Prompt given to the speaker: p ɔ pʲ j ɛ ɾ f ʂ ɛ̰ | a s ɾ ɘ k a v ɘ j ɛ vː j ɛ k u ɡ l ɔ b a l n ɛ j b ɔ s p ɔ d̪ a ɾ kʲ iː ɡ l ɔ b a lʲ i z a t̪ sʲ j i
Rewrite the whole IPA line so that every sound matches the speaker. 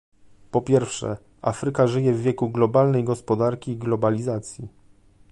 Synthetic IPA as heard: p ɔ pʲ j ɛ ɾ f ʂ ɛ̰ | a f ɾ ɘ k a ʐ ɘ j ɛ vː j ɛ k u ɡ l ɔ b a l n ɛ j ɡ ɔ s p ɔ d̪ a ɾ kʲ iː ɡ l ɔ b a lʲ i z a t̪ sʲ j i

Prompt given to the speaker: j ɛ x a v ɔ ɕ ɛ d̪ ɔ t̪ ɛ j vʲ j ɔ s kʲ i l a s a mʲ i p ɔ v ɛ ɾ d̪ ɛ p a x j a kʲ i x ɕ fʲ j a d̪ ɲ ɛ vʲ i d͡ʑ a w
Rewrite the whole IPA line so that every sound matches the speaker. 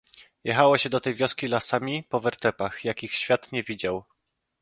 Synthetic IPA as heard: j ɛ x a w ɔ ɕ ɛ d̪ ɔ t̪ ɛ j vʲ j ɔ s kʲ i l a s a mʲ i p ɔ v ɛ ɾ t̪ ɛ p a x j a kʲ i x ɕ fʲ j a t̪ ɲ ɛ vʲ i d͡ʑ a w

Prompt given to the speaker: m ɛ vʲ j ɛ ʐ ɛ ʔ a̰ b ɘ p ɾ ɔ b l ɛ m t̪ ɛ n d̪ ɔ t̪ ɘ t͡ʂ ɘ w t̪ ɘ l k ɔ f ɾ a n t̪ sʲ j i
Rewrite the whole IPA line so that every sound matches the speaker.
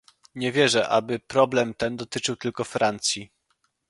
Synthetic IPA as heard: ɲ ɛ vʲ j ɛ ʐ ɛ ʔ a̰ b ɘ p ɾ ɔ b l ɛ m t̪ ɛ n d̪ ɔ t̪ ɘ t͡ʂ ɘ w t̪ ɘ l k ɔ f ɾ a n t̪ sʲ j i

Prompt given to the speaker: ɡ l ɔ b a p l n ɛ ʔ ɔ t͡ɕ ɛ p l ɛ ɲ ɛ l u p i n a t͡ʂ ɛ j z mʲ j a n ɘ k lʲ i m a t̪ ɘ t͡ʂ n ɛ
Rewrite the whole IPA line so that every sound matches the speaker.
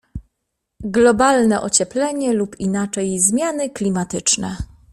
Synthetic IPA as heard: ɡ l ɔ b a l n ɛ ʔ ɔ t͡ɕ ɛ p l ɛ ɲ ɛ l u p i n a t͡ʂ ɛ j z mʲ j a n ɘ k lʲ i m a t̪ ɘ t͡ʂ n ɛ

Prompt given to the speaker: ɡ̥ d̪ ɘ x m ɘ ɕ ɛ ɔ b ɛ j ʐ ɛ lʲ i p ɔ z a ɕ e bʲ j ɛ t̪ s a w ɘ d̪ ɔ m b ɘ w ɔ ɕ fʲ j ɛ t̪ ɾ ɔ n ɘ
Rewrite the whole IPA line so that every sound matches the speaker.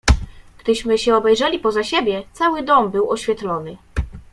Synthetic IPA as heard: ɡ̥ d̪ ɘ ɕ m ɘ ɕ ɛ ɔ b ɛ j ʐ ɛ lʲ i p ɔ z a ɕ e bʲ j ɛ t̪ s a w ɘ d̪ ɔ m b ɘ w ɔ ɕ fʲ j ɛ t̪ l ɔ n ɘ

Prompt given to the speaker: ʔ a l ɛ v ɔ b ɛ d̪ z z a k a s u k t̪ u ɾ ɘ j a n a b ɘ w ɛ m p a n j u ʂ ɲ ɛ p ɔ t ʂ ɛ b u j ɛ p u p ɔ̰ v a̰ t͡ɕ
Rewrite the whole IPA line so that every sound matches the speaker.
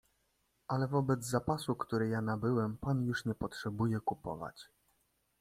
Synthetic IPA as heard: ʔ a l ɛ v ɔ b ɛ d̪ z z a p a s u k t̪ u ɾ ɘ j a n a b ɘ w ɛ m p a n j u ʂ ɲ ɛ p ɔ t ʂ ɛ b u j ɛ k u p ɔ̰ v a̰ t͡ɕ

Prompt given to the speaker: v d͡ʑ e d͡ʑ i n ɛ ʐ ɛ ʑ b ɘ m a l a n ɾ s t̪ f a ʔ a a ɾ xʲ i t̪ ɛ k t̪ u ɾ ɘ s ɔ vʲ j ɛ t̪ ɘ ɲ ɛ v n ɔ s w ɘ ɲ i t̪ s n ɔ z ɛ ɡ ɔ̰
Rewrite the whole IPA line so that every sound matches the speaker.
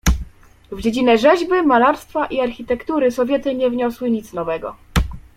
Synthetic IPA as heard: v d͡ʑ e d͡ʑ i n ɛ ʐ ɛ ʑ b ɘ m a l a ɾ s t̪ f a ʔ i a ɾ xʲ i t̪ ɛ k t̪ u ɾ ɘ s ɔ vʲ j ɛ t̪ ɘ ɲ ɛ v ɲ ɔ s w ɘ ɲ i t̪ s n ɔ v ɛ ɡ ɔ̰

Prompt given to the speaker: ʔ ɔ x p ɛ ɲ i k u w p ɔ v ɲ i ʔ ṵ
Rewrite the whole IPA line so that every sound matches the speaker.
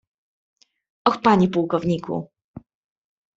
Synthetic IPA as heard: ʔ ɔ x p a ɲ i p u w k ɔ v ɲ i k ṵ

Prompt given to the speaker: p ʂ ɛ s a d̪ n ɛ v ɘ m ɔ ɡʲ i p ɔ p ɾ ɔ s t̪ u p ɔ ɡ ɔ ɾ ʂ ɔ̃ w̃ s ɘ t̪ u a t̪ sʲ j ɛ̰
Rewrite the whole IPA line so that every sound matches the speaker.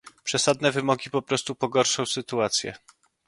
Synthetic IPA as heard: p ʂ ɛ s a d̪ n ɛ v ɘ m ɔ ɡʲ i p ɔ p ɾ ɔ s t̪ u p ɔ ɡ ɔ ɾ ʂ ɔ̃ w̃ s ɘ t̪ u a t̪ sʲ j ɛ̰

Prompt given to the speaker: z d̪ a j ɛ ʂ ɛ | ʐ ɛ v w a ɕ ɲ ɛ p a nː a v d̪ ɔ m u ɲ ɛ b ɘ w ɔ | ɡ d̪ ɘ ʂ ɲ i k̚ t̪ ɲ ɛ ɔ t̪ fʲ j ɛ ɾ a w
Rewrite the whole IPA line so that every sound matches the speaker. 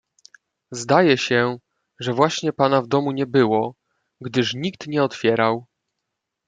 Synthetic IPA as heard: z d̪ a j ɛ ɕ ɛ | ʐ ɛ v w a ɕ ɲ ɛ p a n a v d̪ ɔ m u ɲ ɛ b ɘ w ɔ | ɡ d̪ ɘ ʂ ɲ i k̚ t̪ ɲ ɛ ɔ t̪ fʲ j ɛ ɾ a w

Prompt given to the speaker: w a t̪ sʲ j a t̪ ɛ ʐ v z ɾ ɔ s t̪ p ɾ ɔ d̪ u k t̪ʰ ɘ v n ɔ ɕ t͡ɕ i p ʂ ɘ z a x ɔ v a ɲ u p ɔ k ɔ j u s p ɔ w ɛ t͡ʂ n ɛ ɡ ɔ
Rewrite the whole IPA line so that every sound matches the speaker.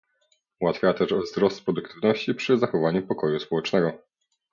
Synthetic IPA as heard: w a t̪ fʲ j a t̪ ɛ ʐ v z ɾ ɔ s t̪ p ɾ ɔ d̪ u k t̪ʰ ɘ v n ɔ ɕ t͡ɕ i p ʂ ɘ z a x ɔ v a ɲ u p ɔ k ɔ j u s p ɔ w ɛ t͡ʂ n ɛ ɡ ɔ

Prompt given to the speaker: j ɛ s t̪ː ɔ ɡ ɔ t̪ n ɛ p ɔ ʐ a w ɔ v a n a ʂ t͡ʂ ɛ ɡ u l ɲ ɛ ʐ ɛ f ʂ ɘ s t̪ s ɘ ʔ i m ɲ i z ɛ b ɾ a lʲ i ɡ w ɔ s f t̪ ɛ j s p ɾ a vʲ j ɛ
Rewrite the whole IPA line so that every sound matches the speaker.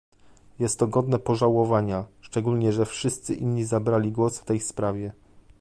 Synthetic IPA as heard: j ɛ s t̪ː ɔ ɡ ɔ d̪ n ɛ p ɔ ʐ a w ɔ v a ɲ a ʂ t͡ʂ ɛ ɡ u l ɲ ɛ ʐ ɛ f ʂ ɘ s t̪ s ɘ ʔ i n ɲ i z a b ɾ a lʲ i ɡ w ɔ s f t̪ ɛ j s p ɾ a vʲ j ɛ

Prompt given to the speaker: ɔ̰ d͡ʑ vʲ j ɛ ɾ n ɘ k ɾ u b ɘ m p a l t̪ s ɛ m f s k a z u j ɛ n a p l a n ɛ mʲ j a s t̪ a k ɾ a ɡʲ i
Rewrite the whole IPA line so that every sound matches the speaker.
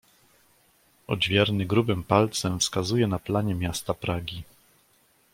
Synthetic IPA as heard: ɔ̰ d͡ʑ vʲ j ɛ ɾ n ɘ ɡ ɾ u b ɘ m p a l t̪ s ɛ m f s k a z u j ɛ n a p l a ɲ ɛ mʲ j a s t̪ a p ɾ a ɡʲ i

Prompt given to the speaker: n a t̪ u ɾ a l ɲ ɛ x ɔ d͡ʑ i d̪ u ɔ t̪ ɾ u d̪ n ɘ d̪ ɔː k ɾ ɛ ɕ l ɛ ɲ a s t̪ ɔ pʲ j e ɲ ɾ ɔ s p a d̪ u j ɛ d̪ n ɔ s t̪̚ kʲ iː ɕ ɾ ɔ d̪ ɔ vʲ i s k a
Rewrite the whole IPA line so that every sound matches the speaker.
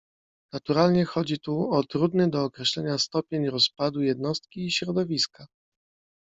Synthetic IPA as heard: n a t̪ u ɾ a l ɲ ɛ x ɔ d͡ʑ i t̪ u ɔ t̪ ɾ u d̪ n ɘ d̪ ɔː k ɾ ɛ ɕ l ɛ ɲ a s t̪ ɔ pʲ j e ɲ ɾ ɔ s p a d̪ u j ɛ d̪ n ɔ s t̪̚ kʲ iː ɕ ɾ ɔ d̪ ɔ vʲ i s k a

